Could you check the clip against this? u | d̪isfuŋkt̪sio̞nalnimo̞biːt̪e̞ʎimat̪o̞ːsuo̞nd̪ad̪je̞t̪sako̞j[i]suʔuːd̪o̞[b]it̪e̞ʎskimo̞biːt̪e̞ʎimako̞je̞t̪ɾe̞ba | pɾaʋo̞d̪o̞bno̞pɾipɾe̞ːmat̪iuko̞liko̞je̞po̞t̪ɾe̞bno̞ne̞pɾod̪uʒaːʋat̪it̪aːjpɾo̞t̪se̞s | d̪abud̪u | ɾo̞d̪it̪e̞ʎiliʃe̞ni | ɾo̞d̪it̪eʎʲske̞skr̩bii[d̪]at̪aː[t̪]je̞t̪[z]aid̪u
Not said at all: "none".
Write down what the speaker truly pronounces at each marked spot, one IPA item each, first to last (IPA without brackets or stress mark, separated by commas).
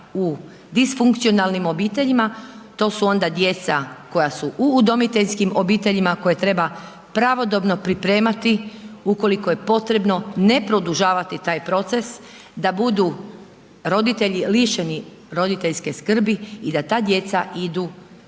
a, m, d̪, d̪, s